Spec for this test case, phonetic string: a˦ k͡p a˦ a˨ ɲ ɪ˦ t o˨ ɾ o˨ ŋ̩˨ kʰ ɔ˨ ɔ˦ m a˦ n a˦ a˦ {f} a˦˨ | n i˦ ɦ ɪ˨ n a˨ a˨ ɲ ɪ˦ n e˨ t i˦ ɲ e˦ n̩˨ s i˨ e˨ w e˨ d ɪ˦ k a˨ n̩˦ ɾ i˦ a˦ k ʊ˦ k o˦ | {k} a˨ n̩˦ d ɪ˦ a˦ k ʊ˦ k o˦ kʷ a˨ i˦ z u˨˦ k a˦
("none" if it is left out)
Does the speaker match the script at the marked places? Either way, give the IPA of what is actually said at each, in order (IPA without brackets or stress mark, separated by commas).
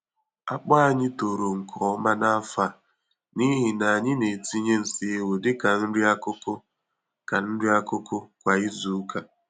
f, k